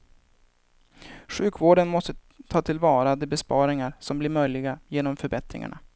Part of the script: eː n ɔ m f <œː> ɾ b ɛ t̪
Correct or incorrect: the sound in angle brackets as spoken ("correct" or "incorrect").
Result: incorrect